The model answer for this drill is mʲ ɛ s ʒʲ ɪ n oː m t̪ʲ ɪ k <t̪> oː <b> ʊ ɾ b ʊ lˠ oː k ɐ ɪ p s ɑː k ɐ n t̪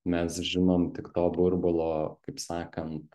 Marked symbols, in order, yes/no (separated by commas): yes, yes